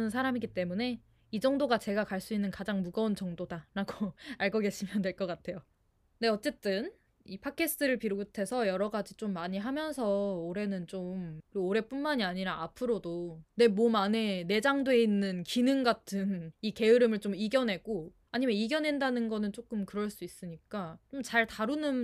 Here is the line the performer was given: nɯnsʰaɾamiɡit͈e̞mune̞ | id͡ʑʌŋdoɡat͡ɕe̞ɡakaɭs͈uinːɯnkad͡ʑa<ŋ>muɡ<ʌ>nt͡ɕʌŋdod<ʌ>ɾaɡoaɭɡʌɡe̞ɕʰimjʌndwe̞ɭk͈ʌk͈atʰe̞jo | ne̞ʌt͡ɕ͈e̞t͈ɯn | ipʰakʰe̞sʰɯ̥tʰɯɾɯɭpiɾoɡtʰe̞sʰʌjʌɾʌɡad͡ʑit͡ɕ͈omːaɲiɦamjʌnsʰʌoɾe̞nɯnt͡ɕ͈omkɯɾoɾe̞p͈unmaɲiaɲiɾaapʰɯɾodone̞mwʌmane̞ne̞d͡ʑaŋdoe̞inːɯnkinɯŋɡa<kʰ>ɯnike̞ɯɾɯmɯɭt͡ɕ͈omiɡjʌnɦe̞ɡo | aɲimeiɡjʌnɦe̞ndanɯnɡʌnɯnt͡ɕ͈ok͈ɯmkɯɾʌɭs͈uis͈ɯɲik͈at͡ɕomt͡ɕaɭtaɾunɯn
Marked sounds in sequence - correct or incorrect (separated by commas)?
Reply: correct, correct, incorrect, incorrect